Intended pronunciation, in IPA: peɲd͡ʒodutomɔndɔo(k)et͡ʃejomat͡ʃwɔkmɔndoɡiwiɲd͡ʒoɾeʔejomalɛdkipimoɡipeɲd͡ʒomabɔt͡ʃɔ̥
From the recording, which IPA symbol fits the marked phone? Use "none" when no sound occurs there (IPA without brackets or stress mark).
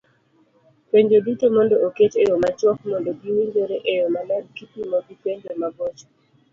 k